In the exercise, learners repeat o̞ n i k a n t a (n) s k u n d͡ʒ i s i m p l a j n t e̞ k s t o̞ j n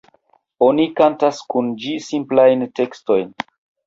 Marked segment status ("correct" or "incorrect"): incorrect